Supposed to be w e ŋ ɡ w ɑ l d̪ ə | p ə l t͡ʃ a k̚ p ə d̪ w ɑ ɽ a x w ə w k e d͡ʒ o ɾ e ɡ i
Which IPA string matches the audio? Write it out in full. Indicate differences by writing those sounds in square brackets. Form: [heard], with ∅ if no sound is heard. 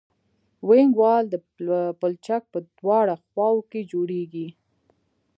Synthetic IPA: w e ŋ ɡ w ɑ l d̪ ə | p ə l t͡ʃ a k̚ p ə d̪ w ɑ ɽ a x w [ɑ] w k e d͡ʒ o [ɽ] e ɡ i